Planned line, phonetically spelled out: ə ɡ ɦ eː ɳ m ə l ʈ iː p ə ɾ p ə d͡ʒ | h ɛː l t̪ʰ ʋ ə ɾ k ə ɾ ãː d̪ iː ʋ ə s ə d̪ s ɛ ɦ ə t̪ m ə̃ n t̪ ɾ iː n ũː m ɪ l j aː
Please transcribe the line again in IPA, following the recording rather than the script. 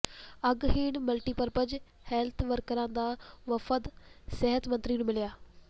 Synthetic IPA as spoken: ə ɡ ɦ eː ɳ m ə l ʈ iː p ə ɾ p ə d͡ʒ | h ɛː l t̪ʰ ʋ ə ɾ k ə ɾ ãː d̪ aː ʋ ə f ə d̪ s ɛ ɦ ə t̪ m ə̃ n t̪ ɾ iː n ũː m ɪ l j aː